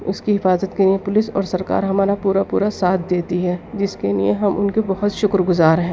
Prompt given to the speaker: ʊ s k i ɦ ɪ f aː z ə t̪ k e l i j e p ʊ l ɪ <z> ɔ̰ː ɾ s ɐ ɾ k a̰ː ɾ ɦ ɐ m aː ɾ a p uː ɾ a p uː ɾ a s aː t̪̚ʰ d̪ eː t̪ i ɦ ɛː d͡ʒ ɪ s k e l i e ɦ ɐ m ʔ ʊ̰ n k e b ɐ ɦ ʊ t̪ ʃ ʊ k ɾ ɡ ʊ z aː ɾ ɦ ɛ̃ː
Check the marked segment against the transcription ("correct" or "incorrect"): incorrect